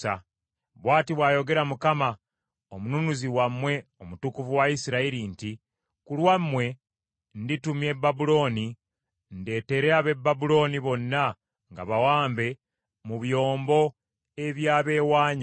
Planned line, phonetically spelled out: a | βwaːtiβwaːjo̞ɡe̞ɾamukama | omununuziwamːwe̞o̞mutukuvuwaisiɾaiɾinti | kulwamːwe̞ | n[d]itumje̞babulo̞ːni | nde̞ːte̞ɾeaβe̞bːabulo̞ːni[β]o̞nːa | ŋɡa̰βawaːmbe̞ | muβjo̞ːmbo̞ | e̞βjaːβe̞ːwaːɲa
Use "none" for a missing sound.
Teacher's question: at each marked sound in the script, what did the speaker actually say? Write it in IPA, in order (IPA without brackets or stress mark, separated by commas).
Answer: d, β